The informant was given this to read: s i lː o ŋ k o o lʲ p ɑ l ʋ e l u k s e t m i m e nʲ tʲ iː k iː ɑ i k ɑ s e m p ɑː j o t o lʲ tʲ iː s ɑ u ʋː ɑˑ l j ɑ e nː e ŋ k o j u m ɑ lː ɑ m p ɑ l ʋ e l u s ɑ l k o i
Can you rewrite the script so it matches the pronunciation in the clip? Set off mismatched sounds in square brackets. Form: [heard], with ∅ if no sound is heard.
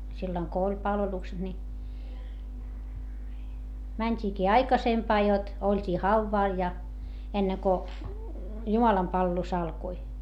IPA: s i lː o ŋ k o o lʲ p ɑ l ʋ e l u k s e t [n] i m [æ] nʲ tʲ iː k iː ɑ i k ɑ s e m p ɑː j o t o lʲ tʲ iː [h] ɑ u ʋː ɑˑ l j ɑ e nː e ŋ k o j u m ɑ [l] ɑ m p ɑ l ʋ e l u s ɑ l k o i